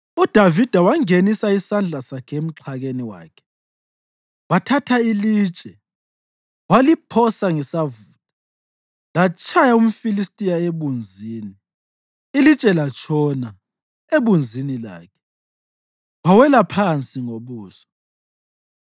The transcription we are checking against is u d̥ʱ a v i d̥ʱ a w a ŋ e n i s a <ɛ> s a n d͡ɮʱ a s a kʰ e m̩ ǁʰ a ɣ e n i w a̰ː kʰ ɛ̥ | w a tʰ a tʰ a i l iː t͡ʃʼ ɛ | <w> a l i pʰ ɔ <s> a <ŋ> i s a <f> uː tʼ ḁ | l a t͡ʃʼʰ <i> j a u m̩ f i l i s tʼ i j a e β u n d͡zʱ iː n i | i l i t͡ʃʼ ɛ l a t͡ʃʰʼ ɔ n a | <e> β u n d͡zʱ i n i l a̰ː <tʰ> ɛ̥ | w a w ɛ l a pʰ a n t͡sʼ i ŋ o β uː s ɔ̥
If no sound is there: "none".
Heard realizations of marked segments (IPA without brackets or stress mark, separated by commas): i, w, s, ŋ, v, a, e, kʰ